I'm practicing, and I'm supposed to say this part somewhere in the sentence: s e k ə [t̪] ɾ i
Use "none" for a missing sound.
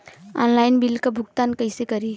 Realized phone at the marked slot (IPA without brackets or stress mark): none